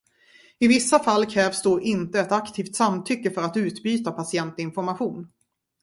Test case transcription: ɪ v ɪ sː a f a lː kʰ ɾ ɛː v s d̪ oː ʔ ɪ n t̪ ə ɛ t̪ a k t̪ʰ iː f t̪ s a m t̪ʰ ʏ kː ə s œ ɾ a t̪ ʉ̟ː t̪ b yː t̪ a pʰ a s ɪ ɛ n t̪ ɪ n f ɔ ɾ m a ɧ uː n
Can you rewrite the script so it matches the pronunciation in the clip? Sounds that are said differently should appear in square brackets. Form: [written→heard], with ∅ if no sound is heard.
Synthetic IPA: ɪ v ɪ sː a f a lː kʰ ɾ ɛː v s d̪ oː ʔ ɪ n t̪ ə ɛ t̪ a k t̪ʰ iː f t̪ s a m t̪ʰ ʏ kː ə [s→f] œ ɾ a t̪ ʉ̟ː t̪ b yː t̪ a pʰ a s ɪ ɛ n t̪ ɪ n f ɔ ɾ m a ɧ uː n